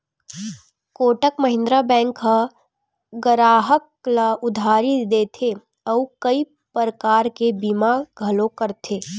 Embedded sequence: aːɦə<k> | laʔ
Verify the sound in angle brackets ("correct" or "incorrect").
correct